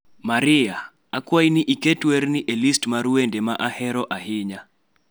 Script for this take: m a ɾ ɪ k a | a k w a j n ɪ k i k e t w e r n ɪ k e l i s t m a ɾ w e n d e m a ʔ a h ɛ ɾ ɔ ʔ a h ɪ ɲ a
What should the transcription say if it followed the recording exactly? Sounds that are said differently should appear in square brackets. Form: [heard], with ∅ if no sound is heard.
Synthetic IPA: m a ɾ ɪ [∅] a | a k w a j n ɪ [ʔ] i k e t w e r n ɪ [ʔ] e l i s t m a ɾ w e n d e m a ʔ a h ɛ ɾ ɔ ʔ a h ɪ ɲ a